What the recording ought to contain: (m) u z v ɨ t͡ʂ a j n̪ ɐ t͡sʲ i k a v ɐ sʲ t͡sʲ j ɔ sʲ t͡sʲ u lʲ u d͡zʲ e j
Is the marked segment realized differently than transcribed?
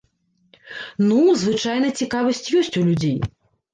yes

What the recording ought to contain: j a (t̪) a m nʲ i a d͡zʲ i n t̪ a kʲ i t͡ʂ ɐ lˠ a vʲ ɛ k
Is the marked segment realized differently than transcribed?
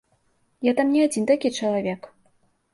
no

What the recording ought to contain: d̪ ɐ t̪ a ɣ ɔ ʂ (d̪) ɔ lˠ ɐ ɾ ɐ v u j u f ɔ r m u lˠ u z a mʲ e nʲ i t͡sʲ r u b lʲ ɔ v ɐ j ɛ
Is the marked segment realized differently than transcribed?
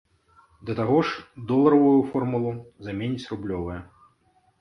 no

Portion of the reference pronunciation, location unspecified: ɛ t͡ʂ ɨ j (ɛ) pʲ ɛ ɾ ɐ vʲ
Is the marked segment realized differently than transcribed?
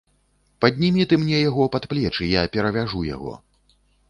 yes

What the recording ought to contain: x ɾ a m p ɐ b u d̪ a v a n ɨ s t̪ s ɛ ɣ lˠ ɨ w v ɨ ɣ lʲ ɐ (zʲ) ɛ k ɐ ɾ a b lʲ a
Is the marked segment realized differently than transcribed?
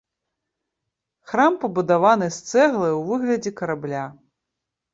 yes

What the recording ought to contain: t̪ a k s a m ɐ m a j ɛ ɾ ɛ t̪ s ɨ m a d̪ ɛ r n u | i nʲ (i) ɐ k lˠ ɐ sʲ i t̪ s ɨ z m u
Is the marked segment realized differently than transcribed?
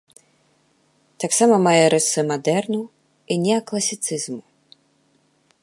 yes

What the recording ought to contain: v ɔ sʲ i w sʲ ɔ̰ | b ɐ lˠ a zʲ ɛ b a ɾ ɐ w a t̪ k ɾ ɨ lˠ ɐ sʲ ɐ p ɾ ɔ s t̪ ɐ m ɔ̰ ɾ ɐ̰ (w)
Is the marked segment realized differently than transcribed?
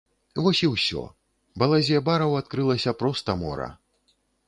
yes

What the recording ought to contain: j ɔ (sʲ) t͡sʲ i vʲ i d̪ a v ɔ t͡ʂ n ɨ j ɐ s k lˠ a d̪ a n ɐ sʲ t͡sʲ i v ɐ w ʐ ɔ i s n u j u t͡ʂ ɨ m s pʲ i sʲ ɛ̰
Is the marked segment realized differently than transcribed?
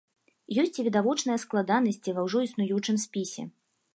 no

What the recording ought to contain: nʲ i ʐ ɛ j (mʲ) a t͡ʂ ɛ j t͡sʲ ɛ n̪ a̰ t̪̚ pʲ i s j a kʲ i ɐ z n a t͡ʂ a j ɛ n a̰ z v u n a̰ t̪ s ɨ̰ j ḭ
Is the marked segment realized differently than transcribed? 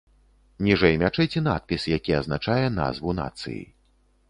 no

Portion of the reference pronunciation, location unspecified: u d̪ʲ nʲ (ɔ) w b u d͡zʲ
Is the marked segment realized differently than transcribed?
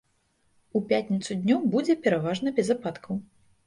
no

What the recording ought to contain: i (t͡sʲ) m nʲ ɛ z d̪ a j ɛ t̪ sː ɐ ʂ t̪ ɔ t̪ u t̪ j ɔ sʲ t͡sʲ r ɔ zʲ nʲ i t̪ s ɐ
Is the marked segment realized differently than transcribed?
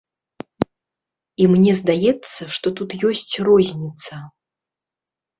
yes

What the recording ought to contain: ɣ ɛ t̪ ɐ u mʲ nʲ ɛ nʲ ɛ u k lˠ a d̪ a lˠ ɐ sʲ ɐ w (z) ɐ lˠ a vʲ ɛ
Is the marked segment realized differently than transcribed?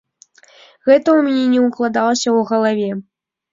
yes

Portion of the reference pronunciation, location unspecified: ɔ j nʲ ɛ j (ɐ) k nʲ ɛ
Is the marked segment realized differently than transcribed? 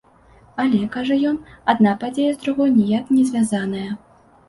yes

